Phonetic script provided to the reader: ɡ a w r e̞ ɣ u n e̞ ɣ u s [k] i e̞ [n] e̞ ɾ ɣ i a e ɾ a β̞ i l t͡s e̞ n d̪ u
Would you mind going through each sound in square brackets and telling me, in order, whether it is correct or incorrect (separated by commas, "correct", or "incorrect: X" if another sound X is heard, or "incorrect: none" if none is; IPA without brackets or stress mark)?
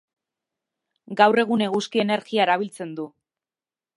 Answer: correct, correct